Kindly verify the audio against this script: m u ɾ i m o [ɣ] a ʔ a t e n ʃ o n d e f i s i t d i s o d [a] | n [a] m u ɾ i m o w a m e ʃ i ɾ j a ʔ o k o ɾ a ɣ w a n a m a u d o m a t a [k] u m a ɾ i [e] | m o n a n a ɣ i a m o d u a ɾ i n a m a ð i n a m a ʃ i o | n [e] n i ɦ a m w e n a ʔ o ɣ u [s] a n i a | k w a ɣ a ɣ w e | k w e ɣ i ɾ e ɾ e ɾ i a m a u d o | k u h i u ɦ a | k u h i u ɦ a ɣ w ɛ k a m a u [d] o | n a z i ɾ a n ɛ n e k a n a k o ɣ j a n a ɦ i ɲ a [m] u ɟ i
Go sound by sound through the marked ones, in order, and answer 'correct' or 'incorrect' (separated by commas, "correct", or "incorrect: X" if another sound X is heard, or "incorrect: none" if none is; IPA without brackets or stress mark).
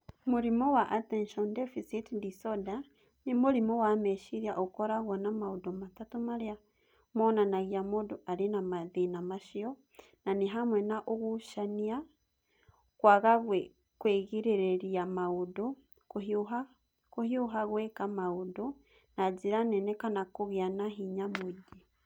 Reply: incorrect: w, correct, incorrect: i, incorrect: t, incorrect: a, incorrect: a, incorrect: ʃ, correct, correct